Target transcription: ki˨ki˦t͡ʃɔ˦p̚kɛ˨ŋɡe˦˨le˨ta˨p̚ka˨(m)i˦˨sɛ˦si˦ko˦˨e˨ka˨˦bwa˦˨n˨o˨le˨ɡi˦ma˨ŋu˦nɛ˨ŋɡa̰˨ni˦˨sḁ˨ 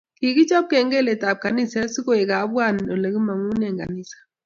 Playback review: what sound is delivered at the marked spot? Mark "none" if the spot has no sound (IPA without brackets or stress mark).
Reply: n